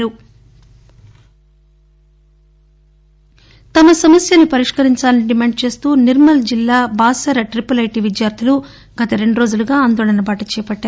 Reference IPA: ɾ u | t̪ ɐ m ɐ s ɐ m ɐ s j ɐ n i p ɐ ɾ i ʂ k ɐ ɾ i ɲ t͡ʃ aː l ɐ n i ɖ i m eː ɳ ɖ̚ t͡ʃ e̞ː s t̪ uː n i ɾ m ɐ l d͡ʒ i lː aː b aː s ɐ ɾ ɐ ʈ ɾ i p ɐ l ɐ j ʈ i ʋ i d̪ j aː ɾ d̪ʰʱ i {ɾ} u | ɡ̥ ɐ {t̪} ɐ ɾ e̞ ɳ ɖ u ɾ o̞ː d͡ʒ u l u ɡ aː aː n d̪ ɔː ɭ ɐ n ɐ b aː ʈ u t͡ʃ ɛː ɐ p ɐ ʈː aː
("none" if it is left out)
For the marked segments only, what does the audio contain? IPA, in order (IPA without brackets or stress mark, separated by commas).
l, t̪